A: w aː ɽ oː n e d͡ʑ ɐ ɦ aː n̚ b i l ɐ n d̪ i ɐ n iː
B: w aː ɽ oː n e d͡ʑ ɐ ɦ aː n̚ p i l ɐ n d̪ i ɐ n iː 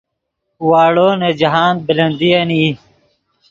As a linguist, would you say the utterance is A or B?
A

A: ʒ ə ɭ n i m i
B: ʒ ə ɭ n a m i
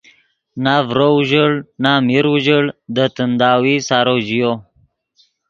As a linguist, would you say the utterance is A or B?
B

